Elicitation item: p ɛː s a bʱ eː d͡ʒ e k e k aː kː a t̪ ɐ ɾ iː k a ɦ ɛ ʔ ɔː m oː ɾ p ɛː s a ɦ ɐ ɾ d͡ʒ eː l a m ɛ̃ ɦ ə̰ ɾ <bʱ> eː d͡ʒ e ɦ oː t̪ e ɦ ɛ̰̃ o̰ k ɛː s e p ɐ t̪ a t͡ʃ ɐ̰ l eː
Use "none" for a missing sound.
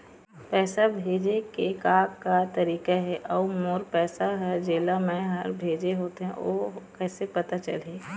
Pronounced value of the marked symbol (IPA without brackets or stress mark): bʱ